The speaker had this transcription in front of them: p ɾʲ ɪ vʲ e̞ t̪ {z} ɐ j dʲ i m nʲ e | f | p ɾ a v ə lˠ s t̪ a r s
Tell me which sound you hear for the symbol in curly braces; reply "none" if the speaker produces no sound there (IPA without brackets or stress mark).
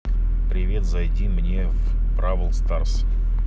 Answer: z